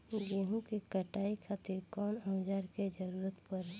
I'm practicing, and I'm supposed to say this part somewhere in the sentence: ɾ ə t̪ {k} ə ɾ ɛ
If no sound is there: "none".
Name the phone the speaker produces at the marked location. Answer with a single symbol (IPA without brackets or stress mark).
p